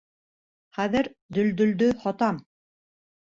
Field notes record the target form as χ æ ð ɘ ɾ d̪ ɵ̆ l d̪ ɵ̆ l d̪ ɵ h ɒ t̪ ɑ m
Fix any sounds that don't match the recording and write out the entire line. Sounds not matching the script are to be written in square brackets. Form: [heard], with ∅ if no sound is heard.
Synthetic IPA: χ æ ð ɘ ɾ d̪ ɵ̆ l d̪ ɵ̆ l d̪ ɵ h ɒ t̪ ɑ m